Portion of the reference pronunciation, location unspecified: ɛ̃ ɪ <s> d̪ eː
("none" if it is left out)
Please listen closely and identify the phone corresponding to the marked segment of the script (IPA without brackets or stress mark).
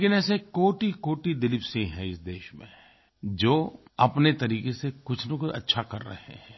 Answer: s